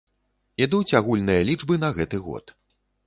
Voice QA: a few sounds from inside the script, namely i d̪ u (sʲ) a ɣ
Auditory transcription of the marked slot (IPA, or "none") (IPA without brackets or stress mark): t͡sʲ